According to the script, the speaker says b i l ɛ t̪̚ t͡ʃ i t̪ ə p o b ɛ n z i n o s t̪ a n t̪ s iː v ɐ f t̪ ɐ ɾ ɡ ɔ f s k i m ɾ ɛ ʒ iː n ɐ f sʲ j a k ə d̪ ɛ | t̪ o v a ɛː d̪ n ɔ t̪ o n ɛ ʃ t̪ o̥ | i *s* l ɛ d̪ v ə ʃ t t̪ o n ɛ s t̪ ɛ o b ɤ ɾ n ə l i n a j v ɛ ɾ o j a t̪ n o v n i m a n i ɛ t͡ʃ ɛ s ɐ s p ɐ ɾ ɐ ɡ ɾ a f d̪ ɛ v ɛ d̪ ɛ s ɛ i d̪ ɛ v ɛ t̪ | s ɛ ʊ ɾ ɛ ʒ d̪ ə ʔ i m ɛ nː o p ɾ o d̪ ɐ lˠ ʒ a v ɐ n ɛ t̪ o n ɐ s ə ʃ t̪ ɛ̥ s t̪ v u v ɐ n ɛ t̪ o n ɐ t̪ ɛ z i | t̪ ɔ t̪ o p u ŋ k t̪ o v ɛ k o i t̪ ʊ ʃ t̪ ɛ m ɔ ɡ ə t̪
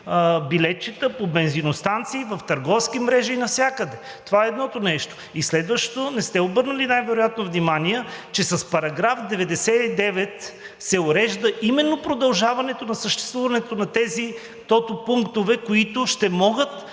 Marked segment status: correct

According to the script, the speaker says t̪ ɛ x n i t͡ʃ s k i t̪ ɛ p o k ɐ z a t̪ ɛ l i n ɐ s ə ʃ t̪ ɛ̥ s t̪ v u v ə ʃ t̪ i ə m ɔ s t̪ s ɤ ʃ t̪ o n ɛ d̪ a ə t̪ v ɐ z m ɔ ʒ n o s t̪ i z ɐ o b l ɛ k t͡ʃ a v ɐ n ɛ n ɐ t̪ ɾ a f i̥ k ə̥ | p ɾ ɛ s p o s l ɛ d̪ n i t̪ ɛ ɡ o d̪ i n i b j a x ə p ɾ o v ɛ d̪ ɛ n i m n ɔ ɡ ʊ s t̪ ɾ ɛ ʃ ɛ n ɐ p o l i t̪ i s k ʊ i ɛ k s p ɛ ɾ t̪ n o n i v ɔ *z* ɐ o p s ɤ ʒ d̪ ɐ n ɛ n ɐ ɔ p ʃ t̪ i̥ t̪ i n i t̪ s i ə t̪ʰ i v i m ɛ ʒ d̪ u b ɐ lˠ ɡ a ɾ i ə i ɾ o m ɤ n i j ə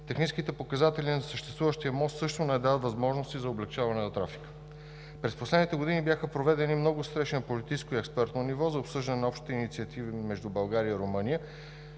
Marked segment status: correct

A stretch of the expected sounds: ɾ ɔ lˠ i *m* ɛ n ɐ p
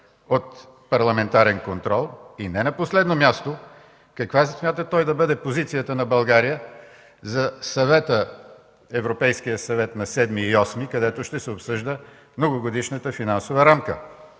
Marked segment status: incorrect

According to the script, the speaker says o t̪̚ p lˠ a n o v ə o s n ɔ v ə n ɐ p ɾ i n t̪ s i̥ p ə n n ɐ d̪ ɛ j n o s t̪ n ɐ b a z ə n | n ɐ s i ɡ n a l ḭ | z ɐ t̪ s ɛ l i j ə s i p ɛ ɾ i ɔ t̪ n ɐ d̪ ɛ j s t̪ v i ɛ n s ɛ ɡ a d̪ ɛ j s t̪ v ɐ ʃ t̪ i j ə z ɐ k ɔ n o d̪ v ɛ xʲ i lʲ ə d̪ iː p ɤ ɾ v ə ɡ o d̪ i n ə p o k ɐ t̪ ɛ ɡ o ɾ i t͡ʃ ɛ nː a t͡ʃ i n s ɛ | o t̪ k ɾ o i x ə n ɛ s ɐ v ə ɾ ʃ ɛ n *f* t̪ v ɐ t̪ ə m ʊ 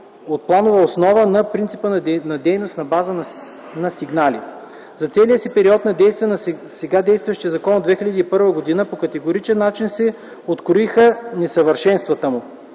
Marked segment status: incorrect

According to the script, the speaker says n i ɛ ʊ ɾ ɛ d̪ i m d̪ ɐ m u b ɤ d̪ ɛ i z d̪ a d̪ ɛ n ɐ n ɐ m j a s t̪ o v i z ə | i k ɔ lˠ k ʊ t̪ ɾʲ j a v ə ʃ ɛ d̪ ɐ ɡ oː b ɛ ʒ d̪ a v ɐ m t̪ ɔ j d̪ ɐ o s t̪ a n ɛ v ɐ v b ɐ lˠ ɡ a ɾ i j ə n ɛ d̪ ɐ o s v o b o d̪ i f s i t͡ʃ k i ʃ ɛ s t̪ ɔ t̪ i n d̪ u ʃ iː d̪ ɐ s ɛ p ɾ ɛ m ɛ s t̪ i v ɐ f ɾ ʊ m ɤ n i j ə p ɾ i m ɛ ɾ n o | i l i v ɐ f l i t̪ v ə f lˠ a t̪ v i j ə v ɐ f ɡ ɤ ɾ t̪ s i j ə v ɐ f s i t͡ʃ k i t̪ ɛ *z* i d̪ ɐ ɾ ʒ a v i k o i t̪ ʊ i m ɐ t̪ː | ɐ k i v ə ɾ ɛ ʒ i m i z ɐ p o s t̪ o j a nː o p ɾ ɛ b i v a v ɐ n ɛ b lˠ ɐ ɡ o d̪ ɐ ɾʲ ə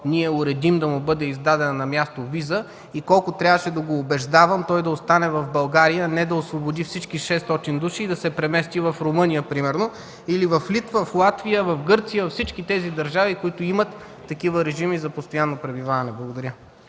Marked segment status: correct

